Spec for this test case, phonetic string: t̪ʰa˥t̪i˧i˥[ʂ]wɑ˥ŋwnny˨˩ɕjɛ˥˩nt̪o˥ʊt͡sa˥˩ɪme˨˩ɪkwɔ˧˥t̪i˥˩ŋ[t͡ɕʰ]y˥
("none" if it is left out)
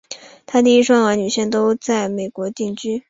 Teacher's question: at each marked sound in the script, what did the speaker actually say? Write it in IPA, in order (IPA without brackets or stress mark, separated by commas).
ʂ, t͡ɕ